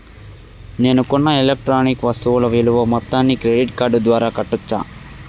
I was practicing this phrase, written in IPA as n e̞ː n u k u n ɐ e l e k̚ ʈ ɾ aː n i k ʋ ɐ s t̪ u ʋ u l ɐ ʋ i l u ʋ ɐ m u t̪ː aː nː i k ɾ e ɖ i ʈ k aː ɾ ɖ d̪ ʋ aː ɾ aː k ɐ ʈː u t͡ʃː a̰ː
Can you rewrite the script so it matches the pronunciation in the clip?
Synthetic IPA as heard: n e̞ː n u k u nː ɐ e l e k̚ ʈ ɾ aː n i k ʋ ɐ s t̪ u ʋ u l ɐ ʋ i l u ʋ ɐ m ɔ t̪ː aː nː i k ɾ e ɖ i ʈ k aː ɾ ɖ d̪ ʋ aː ɾ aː k ɐ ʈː u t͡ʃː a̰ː